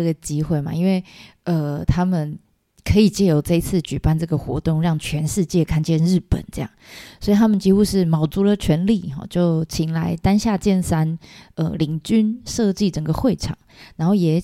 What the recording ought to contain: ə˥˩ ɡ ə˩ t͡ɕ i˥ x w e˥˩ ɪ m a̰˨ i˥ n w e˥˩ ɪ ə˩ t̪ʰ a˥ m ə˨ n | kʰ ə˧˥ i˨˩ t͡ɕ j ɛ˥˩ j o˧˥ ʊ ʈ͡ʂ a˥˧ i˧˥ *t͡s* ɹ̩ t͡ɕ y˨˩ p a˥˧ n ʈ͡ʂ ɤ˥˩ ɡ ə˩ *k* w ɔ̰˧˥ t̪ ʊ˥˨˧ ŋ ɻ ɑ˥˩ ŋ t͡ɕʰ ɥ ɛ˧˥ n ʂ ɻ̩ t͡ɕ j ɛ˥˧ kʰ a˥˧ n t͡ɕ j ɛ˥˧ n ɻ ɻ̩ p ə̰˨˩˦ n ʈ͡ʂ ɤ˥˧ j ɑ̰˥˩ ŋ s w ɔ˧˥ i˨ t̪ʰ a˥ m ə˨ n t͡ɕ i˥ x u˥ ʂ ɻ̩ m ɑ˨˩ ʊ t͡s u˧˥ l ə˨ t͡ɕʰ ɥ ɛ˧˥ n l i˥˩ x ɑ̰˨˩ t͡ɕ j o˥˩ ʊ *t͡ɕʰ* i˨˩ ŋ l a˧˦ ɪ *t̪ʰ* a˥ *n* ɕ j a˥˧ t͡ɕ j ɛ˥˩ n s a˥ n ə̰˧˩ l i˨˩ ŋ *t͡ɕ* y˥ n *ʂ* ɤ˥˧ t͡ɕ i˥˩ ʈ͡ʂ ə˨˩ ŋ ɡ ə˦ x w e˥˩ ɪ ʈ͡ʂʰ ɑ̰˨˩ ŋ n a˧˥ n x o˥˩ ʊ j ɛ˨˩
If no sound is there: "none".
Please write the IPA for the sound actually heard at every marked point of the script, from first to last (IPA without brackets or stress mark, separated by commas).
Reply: t͡sʰ, x, t͡ɕʰ, t̪, n, t͡ɕ, ʂ